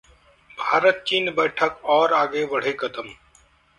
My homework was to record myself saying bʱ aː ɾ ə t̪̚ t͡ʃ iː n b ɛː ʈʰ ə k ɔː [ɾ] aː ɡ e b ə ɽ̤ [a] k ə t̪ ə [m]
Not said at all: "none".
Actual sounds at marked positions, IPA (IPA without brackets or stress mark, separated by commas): ɾ, e, m